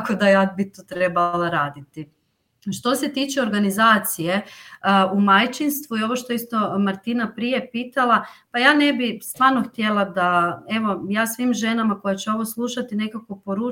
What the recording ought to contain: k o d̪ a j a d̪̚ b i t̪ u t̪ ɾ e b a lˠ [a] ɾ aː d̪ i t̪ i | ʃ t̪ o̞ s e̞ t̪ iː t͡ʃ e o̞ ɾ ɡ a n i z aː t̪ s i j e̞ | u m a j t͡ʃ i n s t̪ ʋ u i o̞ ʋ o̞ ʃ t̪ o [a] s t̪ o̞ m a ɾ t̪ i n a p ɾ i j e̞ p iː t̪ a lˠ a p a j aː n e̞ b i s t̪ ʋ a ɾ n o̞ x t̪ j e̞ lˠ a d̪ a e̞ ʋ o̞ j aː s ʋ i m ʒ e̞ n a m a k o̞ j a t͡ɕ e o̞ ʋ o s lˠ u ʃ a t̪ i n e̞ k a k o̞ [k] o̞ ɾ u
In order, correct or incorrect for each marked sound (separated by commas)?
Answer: correct, incorrect, incorrect